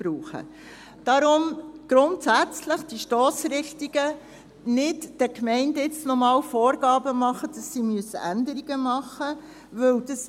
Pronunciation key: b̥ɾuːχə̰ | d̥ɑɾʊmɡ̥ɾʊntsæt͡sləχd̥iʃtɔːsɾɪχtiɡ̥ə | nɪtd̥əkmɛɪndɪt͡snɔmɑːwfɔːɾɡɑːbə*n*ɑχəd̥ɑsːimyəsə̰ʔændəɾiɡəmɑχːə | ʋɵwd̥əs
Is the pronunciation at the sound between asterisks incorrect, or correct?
incorrect: m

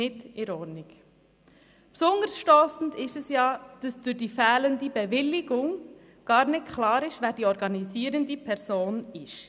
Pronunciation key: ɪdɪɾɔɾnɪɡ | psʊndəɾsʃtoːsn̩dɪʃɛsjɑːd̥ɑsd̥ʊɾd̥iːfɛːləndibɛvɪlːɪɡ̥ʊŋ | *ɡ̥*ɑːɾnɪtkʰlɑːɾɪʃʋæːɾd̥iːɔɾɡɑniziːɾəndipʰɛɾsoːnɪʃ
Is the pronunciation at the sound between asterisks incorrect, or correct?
correct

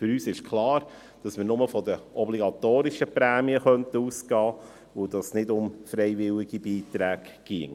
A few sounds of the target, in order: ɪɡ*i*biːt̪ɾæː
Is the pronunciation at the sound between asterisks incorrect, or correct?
correct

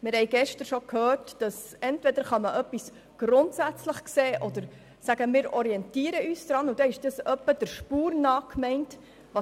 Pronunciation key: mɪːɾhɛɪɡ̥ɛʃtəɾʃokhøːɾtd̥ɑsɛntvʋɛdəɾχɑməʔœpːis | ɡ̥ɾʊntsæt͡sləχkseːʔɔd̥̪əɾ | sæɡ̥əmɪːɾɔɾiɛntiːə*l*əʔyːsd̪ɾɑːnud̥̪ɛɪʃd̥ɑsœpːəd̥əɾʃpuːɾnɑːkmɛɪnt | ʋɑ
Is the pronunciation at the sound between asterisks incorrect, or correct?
incorrect: ɾ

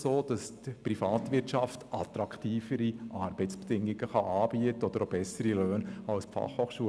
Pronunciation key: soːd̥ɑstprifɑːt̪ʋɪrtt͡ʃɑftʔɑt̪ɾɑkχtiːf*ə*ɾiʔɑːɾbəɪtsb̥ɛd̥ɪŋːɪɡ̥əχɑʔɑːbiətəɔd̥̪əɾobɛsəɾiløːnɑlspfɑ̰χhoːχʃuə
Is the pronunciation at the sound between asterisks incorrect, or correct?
correct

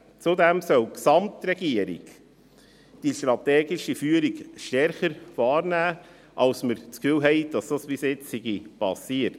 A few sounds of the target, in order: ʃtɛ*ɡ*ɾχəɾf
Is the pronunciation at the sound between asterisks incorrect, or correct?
incorrect: none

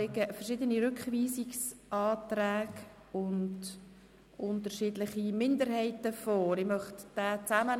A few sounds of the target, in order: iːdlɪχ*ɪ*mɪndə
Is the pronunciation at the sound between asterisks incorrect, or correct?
incorrect: i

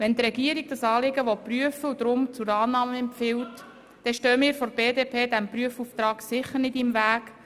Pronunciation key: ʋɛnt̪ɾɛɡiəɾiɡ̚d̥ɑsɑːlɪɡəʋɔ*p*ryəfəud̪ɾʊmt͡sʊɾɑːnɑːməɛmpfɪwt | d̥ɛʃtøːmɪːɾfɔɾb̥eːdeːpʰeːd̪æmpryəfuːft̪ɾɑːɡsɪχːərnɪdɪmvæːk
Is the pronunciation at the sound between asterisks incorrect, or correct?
correct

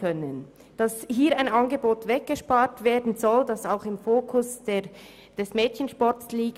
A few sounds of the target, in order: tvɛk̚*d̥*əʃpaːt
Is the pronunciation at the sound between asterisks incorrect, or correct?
incorrect: ɡ̥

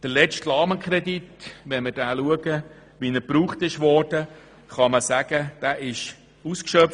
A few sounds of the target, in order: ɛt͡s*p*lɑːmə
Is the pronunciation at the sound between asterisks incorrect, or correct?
incorrect: t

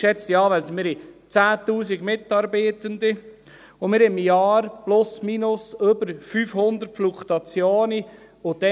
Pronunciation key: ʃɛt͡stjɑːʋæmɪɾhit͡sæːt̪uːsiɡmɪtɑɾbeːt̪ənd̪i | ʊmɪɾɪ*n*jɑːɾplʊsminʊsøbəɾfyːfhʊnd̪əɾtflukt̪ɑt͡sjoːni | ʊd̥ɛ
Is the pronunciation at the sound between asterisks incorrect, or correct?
incorrect: m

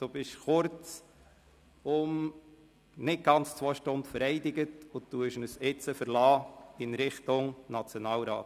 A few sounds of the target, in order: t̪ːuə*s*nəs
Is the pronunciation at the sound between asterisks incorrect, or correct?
incorrect: ʃ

